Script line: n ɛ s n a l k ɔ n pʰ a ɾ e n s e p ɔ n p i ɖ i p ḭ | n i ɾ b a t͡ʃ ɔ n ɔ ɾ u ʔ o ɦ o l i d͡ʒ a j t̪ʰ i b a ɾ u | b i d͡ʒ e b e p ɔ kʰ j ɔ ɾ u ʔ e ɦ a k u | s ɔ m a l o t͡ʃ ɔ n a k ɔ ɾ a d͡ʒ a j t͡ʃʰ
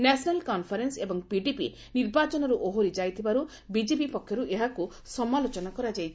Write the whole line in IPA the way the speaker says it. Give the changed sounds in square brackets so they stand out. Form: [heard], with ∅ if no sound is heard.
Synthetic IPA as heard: n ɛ s n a l k ɔ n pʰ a ɾ e n s e [b] ɔ [ŋ] p i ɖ i p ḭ | n i ɾ b a t͡ʃ ɔ n ɔ ɾ u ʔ o ɦ o [ɾ] i d͡ʒ a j t̪ʰ i b a ɾ u | b i d͡ʒ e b [i] p ɔ kʰ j ɔ ɾ u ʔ e ɦ a k u | s ɔ m a l o t͡ʃ ɔ n a k ɔ ɾ a d͡ʒ a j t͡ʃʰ